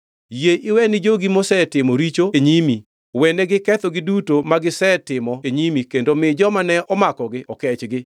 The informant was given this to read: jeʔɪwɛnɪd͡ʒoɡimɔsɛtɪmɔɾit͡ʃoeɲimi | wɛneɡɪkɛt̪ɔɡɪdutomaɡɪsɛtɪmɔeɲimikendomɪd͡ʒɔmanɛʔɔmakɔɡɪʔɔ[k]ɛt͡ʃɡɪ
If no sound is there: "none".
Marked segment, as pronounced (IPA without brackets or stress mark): k